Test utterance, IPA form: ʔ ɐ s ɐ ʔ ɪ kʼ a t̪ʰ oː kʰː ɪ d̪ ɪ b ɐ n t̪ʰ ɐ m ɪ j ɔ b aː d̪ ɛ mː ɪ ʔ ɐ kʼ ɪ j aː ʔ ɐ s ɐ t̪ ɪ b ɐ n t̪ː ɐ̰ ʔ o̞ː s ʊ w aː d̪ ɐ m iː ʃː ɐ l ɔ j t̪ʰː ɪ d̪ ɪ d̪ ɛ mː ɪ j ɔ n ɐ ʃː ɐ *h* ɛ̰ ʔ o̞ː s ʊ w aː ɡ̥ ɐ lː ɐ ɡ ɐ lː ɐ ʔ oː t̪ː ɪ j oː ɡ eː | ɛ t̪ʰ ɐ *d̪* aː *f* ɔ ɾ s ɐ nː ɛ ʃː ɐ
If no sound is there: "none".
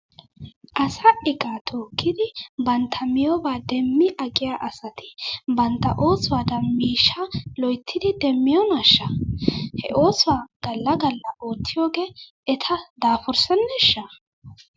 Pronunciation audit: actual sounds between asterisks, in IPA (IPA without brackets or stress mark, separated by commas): h, d̪, f